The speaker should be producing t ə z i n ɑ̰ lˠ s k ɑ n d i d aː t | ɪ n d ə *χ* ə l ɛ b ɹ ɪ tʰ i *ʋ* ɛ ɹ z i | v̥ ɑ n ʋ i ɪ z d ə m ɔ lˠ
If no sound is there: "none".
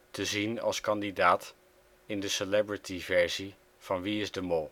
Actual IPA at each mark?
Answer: s, v

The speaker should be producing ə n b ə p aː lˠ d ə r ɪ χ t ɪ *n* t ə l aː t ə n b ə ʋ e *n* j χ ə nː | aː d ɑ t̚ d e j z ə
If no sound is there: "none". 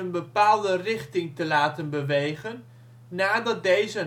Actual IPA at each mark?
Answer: ŋ, none

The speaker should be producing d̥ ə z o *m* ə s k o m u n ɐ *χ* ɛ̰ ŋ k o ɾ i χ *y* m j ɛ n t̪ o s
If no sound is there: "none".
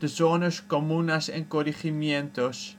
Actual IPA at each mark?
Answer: n, s, i

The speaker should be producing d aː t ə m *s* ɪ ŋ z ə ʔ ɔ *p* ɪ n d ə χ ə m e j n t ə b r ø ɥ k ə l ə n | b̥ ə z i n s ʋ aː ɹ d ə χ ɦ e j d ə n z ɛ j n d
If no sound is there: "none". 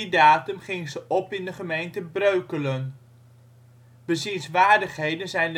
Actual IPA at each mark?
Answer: χ, p

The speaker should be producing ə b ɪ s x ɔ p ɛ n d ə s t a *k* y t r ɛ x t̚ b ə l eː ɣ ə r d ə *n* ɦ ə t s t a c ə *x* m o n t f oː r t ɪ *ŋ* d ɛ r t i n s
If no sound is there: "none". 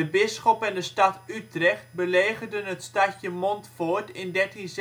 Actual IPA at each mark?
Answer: t, n, none, n

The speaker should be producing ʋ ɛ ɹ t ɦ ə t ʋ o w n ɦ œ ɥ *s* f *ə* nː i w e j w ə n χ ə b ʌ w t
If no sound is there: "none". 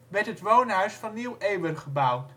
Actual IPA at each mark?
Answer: s, ɑ

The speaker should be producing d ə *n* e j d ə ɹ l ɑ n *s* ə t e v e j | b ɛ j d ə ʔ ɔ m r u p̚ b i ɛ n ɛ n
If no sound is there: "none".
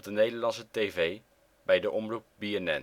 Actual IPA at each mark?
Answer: n, s

